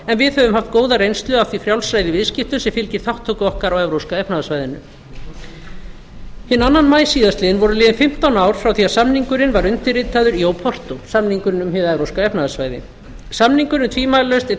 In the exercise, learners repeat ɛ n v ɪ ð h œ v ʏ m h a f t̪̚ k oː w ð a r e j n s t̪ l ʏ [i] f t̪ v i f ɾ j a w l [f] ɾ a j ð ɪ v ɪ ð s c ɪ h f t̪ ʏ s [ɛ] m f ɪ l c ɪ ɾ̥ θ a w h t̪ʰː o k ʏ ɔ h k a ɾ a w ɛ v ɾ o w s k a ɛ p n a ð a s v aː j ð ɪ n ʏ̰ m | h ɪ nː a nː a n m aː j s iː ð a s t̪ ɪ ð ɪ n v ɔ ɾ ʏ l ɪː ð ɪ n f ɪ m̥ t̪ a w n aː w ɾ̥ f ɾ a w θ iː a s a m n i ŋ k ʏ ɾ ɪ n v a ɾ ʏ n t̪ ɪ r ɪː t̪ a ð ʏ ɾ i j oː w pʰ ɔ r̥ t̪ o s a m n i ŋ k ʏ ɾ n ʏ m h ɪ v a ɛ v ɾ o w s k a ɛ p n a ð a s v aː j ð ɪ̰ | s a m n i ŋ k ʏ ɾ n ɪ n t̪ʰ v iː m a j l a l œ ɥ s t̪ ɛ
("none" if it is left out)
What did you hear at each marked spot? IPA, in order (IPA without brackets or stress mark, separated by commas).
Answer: a, s, ɛ